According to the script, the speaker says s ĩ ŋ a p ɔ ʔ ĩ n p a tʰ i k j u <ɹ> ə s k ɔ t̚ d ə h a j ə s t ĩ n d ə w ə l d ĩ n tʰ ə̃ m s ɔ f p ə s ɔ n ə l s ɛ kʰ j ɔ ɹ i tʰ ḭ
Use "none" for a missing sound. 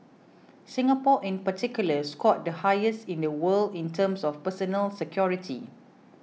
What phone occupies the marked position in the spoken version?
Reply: l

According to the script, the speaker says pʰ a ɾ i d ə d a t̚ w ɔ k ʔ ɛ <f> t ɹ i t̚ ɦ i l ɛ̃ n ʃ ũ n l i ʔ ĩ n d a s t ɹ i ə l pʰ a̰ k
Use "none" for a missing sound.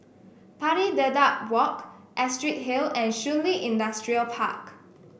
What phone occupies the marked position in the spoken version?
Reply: s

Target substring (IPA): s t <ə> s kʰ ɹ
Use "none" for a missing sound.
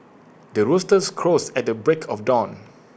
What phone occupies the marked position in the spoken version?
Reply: ə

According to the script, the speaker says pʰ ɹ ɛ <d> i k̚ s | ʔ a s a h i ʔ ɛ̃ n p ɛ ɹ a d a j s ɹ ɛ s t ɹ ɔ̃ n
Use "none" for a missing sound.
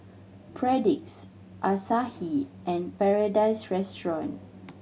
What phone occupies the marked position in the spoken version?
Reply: d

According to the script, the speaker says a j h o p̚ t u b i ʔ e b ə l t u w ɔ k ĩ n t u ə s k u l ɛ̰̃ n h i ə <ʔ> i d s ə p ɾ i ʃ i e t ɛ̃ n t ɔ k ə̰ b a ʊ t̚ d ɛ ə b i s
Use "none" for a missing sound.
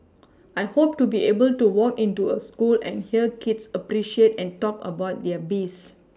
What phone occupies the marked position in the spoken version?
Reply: k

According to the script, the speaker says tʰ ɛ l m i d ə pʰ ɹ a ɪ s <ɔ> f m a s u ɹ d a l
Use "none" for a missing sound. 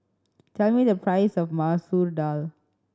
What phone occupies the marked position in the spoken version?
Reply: ɔ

